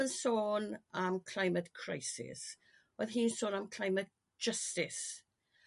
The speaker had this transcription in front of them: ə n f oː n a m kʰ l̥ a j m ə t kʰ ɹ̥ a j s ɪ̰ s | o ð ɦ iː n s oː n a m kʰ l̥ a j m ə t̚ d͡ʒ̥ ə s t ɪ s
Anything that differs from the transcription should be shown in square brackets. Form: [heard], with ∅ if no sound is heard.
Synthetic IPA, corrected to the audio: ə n [s] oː n a m kʰ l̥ a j m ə t kʰ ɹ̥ a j s ɪ̰ s | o ð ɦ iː n s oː n a m kʰ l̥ a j m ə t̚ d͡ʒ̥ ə s t ɪ s